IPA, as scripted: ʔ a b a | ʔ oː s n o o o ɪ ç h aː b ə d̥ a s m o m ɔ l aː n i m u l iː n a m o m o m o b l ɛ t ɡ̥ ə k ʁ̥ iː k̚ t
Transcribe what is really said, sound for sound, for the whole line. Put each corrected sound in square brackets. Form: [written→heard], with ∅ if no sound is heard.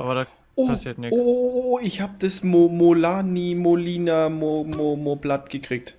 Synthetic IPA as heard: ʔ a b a | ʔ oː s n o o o ɪ ç h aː b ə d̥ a s m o m [ɔ→o] l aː n i m [u→o] l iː n a m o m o m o b l [ɛ→a] t ɡ̥ ə k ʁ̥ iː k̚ t